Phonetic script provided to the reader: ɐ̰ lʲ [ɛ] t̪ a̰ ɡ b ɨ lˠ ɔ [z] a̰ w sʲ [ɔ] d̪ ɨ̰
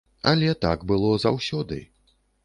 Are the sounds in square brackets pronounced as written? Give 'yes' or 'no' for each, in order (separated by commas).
yes, yes, yes